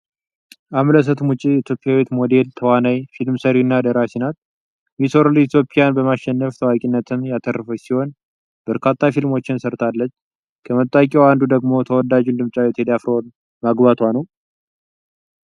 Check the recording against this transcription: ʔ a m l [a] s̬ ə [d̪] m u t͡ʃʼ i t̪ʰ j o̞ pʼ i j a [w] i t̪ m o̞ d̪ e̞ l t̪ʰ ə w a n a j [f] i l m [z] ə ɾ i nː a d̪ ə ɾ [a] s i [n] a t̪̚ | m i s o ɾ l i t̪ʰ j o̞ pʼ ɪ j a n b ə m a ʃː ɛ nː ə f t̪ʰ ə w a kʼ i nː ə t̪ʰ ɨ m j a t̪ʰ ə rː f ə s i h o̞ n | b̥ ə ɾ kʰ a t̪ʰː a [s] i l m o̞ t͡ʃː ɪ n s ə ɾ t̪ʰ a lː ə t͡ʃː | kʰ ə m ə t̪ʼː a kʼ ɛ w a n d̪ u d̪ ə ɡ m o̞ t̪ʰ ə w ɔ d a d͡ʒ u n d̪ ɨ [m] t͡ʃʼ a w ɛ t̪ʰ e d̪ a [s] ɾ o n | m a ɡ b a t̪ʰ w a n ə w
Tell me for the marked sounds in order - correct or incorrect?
incorrect: ə, incorrect: t̪, correct, correct, incorrect: s, correct, correct, incorrect: f, correct, incorrect: f

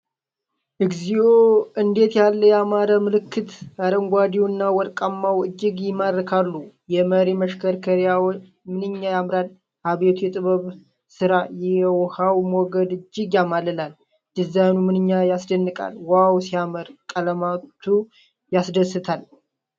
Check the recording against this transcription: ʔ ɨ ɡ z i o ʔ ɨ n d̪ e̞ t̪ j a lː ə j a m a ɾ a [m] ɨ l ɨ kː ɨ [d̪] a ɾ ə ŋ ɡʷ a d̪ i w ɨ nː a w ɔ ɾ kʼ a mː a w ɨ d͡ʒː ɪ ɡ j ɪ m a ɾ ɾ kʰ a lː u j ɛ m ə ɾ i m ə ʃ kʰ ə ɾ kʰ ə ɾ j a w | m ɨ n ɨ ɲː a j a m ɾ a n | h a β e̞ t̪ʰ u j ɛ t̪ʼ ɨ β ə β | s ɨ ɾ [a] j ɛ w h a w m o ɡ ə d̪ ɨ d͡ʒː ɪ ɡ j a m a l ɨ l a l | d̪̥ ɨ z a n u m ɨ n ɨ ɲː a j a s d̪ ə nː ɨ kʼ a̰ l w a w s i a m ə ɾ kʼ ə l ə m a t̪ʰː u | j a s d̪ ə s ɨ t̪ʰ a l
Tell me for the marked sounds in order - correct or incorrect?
correct, incorrect: t̪, correct

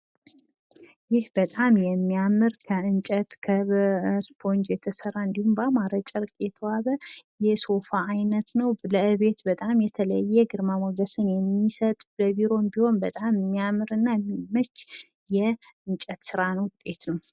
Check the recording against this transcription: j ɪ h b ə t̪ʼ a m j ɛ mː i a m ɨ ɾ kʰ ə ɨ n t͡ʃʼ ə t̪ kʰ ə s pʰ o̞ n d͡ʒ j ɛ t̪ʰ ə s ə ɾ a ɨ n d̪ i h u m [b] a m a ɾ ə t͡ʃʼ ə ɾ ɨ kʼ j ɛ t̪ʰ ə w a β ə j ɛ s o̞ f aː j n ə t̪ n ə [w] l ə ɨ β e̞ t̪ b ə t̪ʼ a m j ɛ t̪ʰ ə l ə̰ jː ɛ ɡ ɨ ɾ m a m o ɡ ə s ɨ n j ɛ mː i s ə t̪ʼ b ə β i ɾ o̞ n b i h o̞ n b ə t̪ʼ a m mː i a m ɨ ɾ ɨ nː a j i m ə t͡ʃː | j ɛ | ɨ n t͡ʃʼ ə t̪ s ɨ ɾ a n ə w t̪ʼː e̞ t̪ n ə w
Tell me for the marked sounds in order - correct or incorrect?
correct, correct

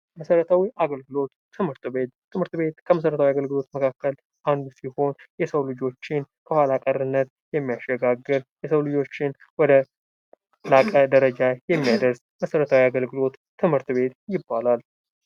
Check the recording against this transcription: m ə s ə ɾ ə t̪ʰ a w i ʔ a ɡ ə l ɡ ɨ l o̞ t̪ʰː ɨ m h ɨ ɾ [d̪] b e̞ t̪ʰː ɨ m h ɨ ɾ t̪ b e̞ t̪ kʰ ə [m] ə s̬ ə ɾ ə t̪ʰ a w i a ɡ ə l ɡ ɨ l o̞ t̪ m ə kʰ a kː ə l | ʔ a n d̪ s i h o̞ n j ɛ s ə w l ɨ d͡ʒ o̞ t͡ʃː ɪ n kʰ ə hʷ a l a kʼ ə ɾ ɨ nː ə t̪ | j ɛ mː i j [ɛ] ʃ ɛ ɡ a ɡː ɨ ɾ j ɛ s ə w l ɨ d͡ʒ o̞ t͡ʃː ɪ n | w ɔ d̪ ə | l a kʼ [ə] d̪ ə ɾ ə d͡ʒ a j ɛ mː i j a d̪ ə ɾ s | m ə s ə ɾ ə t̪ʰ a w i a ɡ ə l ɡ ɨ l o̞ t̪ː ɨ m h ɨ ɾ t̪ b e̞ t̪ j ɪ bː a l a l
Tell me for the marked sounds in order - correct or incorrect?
incorrect: t̪, correct, incorrect: a, correct

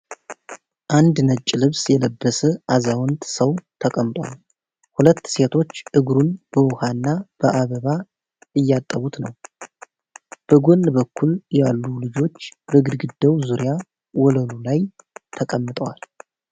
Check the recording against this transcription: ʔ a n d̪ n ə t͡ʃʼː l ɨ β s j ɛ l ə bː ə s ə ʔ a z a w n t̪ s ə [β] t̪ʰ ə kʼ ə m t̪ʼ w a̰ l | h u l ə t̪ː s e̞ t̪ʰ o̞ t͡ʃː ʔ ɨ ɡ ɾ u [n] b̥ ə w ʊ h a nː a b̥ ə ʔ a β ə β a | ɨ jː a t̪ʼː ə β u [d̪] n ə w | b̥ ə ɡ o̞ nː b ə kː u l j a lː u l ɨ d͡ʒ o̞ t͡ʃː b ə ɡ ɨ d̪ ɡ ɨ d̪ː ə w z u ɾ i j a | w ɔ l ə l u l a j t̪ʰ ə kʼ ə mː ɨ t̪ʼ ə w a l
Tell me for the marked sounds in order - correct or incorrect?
incorrect: w, correct, incorrect: t̪

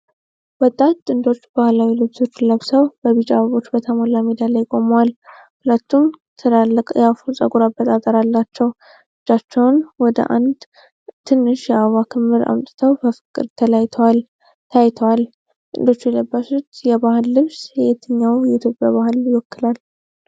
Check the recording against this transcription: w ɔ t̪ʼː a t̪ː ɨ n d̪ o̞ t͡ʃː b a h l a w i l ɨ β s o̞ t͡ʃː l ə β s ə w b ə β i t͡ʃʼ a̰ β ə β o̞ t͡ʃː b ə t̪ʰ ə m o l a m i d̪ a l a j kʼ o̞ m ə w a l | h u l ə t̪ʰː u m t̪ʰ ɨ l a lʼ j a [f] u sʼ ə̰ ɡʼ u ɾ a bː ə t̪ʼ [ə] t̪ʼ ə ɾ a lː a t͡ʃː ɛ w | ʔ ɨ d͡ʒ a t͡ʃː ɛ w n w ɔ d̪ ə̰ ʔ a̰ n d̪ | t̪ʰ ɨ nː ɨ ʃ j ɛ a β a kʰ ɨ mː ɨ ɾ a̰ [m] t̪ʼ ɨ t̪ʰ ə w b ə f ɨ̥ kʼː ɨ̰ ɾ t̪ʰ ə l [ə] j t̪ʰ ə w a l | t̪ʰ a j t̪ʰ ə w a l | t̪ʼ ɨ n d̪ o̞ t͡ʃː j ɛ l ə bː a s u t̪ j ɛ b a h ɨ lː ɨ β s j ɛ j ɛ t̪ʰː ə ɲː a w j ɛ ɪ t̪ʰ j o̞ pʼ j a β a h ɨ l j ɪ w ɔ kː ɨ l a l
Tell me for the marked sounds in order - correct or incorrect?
correct, incorrect: a, correct, incorrect: a

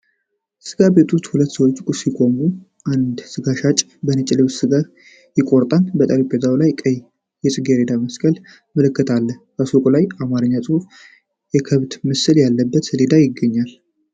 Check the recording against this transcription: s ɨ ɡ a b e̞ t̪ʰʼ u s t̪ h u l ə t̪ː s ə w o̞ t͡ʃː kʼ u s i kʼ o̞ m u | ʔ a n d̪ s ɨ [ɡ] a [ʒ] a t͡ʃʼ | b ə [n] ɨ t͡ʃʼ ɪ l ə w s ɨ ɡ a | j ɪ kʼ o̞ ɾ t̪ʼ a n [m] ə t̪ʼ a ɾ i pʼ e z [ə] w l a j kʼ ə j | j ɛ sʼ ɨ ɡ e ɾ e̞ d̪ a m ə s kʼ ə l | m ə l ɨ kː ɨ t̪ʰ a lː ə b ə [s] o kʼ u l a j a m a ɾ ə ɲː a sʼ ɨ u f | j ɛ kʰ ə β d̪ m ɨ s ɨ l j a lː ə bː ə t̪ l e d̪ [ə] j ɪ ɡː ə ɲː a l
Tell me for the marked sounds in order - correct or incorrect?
correct, incorrect: ʃ, correct, incorrect: b, incorrect: a, correct, incorrect: a

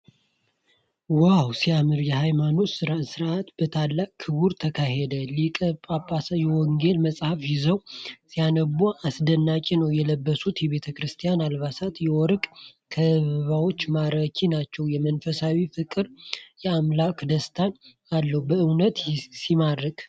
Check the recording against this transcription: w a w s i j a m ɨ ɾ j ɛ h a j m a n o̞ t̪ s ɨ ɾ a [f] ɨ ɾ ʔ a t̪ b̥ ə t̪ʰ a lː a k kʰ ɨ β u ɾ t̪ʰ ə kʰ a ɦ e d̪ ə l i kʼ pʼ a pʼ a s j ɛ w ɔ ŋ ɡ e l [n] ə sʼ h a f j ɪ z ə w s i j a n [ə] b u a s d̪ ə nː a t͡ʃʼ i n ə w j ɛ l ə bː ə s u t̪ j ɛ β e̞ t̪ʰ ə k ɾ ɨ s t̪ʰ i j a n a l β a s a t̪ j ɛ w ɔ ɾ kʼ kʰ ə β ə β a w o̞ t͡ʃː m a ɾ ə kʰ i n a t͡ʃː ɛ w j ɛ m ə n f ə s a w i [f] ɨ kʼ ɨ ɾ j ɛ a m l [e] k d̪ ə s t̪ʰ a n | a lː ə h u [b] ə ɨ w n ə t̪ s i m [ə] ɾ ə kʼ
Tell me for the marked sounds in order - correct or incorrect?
incorrect: s, incorrect: m, correct, correct, incorrect: a, correct, incorrect: a

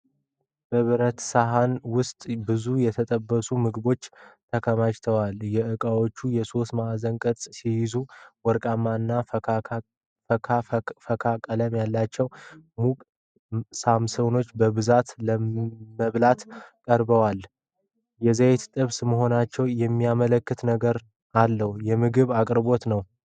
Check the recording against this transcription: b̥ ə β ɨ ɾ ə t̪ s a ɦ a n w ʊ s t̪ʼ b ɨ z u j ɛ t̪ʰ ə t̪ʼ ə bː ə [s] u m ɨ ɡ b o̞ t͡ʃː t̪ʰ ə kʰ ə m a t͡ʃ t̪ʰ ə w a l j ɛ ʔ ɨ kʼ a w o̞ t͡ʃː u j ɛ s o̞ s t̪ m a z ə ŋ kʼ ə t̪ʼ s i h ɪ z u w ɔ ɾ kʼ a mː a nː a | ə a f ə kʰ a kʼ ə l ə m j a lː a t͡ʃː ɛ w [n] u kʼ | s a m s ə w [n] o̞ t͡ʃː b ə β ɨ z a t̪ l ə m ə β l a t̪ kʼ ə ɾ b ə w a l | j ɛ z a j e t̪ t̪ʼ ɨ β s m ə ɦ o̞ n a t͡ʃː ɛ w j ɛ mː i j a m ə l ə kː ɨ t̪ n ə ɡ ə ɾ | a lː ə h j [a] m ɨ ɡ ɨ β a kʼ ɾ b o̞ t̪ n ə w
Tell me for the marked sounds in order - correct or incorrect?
correct, incorrect: m, correct, incorrect: ɛ

